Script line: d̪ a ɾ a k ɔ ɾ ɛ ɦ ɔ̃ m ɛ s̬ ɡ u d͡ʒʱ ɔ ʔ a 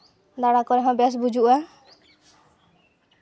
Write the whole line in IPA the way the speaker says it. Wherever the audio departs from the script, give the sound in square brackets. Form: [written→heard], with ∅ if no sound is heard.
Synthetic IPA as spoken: d̪ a [ɾ→ɽ] a k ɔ ɾ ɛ ɦ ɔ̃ [m→b] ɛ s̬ [ɡ→b] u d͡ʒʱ [ɔ→u] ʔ a